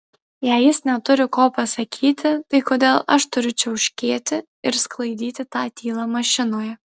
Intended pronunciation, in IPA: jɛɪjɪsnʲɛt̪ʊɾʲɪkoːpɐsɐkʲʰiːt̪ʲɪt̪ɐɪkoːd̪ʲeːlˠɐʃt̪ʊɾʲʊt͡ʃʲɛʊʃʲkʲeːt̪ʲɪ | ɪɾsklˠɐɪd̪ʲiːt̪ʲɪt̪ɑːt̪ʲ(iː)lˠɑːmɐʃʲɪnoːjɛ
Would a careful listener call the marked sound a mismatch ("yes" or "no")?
no